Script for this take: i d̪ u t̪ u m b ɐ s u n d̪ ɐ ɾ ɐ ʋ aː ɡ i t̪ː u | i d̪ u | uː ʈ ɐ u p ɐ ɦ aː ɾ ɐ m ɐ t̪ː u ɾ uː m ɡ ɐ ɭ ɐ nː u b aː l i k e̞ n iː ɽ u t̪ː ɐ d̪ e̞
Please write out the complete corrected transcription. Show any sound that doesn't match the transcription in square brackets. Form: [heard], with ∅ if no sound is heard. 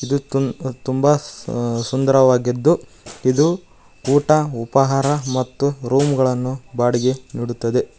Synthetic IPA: i d̪ u t̪ u m b ɐ s u n d̪ ɐ ɾ ɐ ʋ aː ɡ i [d̪ː] u | i d̪ u | uː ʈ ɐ u p ɐ ɦ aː ɾ ɐ m ɐ t̪ː u ɾ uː m ɡ ɐ ɭ ɐ nː u b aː [ɽ] i [ɡ] e̞ n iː ɽ u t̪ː ɐ d̪ e̞